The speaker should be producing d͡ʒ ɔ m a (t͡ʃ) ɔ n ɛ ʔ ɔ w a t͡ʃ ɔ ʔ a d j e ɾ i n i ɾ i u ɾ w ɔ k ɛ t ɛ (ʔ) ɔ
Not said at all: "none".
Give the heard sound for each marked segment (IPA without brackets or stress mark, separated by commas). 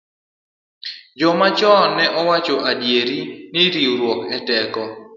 t͡ʃ, k